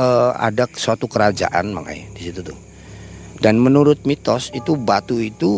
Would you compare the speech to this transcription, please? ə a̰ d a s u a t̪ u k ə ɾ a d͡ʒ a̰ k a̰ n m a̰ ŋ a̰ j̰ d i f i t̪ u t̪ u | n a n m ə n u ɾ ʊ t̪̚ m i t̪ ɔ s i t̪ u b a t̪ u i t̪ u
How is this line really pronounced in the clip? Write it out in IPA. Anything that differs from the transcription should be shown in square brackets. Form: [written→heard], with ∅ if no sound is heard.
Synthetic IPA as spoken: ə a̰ d a s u a t̪ u k ə ɾ a d͡ʒ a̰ [k→ʔ] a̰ n m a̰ ŋ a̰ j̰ d i [f→s] i t̪ u t̪ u | [n→d] a n m ə n u ɾ ʊ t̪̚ m i t̪ ɔ s i t̪ u b a t̪ u i t̪ u